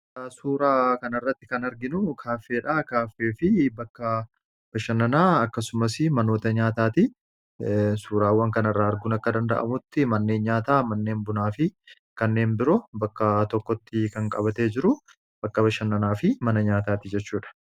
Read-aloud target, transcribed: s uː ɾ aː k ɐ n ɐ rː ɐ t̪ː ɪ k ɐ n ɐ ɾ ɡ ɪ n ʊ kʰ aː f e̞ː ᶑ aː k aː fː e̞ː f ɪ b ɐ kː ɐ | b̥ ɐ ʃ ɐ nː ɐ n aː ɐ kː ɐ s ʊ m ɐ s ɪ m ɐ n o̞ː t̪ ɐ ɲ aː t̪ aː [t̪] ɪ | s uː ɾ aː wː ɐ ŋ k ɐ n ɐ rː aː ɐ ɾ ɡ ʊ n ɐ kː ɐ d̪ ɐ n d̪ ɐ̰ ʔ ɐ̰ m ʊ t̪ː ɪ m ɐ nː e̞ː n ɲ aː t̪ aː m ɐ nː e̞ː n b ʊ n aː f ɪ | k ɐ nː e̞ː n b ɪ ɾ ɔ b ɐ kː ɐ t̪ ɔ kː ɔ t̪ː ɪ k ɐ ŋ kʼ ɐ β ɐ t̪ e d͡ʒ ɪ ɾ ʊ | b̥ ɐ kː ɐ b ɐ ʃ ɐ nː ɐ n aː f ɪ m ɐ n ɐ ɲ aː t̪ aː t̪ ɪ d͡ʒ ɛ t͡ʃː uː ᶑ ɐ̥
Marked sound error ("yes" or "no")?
no